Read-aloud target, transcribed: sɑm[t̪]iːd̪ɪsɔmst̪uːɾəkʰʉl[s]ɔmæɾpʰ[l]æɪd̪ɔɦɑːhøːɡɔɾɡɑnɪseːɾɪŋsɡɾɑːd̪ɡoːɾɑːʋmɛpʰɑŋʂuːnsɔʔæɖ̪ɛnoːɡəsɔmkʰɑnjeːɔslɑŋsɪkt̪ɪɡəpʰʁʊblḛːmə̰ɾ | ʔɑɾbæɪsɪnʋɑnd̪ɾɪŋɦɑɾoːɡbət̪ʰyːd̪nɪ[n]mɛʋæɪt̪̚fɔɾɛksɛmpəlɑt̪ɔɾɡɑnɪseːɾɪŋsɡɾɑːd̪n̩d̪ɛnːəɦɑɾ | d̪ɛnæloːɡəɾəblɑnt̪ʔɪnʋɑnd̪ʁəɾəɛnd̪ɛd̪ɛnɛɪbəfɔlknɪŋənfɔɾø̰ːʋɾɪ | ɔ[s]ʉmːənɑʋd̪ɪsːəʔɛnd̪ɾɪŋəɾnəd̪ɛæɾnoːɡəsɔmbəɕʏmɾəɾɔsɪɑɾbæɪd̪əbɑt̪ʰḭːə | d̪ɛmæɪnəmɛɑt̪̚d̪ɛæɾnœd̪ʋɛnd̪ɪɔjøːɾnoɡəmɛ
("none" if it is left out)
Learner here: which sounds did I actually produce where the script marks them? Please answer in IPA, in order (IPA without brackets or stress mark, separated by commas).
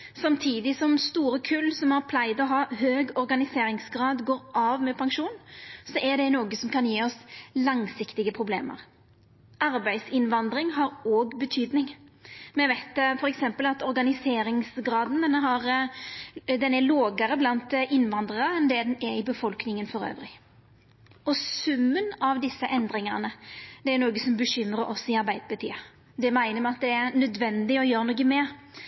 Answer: t̪ʰ, s, l, ŋ, s